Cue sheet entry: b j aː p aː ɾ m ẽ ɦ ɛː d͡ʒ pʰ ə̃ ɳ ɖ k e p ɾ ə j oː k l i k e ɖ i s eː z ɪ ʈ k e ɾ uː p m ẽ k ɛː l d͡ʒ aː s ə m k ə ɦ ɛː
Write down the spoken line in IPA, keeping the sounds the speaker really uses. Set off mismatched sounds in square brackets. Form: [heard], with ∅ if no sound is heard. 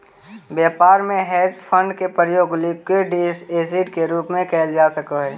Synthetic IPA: b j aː p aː ɾ m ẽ ɦ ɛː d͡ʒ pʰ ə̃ ɳ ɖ k e p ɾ ə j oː [ɡ] l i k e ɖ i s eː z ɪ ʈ k e ɾ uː p m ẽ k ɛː l d͡ʒ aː s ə [∅] k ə ɦ ɛː